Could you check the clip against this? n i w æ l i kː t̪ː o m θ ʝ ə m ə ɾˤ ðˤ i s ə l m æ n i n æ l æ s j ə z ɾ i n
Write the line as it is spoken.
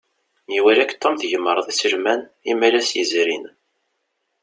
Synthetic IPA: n i w æ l æ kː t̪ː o m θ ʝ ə m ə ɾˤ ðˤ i s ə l m æ n i m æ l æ s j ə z ɾ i n

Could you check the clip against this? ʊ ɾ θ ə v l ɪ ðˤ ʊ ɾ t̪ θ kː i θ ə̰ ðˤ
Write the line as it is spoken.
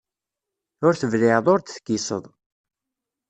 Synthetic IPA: ʊ ɾ θ ə v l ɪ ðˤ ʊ ɾ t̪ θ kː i s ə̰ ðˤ

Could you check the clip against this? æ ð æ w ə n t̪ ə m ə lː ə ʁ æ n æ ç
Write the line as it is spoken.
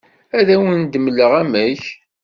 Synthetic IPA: æ ð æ w ə n d̪ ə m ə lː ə ʁ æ m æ ç

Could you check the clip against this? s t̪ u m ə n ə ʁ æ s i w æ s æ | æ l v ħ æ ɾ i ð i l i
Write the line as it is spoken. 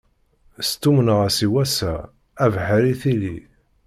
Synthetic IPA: s t̪ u m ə n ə ʁ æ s i w æ s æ | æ v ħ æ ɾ i θ i l i

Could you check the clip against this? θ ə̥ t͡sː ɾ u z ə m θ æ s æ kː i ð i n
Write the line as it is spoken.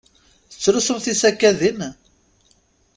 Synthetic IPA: θ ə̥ t͡sː ɾ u s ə m θ i s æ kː æ ð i n

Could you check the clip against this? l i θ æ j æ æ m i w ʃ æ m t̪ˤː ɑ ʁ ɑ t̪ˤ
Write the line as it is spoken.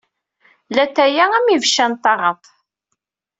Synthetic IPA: l æ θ æ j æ æ m i v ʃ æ n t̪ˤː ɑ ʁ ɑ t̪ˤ

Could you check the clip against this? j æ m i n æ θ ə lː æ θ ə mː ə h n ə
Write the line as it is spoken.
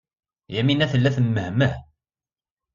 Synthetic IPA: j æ m i n æ θ ə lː æ θ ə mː ə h m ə

